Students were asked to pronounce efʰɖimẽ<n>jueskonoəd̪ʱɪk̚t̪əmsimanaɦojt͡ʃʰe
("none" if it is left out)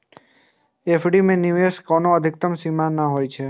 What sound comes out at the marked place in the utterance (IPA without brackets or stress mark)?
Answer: n